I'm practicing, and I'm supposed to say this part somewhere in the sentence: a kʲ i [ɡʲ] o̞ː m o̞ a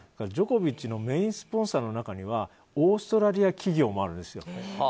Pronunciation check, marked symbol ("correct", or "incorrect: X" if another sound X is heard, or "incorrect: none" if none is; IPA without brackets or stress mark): correct